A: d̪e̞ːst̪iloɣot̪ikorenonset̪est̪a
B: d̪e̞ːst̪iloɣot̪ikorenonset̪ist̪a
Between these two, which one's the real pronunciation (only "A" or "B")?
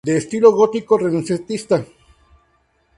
B